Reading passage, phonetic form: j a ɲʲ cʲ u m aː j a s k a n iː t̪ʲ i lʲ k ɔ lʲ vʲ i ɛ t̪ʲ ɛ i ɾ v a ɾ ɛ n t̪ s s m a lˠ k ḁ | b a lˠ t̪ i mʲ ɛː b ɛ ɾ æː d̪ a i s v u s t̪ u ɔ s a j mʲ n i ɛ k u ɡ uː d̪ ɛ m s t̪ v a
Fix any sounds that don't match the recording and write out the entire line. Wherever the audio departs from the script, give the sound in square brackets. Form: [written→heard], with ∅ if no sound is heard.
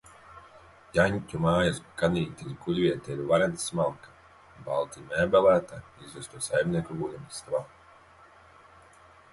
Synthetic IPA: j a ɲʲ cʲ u m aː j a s k a n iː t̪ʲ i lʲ k [ɔ→u] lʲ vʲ i ɛ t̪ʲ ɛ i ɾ v a ɾ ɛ n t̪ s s m a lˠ k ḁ | b a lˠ t̪ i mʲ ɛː b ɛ [ɾ→l] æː [d̪→t̪] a i [s→z] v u s t̪ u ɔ s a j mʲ n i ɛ k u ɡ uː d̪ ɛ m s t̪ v a